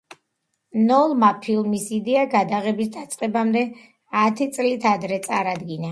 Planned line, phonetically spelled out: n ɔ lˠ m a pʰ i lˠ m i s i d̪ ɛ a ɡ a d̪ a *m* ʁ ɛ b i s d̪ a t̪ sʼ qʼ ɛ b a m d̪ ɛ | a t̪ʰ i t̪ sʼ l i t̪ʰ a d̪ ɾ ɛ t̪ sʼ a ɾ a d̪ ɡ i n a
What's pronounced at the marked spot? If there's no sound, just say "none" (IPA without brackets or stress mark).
none